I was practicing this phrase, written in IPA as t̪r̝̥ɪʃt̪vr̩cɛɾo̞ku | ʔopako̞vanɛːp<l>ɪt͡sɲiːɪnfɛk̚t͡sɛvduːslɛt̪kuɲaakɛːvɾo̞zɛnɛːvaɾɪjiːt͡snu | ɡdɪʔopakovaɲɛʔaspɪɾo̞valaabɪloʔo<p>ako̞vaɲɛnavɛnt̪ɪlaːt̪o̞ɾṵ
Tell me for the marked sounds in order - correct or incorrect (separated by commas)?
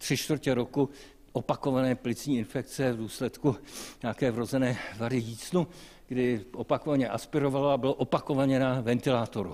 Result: correct, correct